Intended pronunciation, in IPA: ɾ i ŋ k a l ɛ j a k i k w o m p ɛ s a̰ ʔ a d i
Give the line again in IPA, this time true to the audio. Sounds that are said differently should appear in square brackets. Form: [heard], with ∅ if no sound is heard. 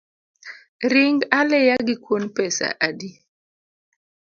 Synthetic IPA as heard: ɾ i ŋ [ɡ] a l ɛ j a [ɡ] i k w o [n] p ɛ s a̰ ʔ a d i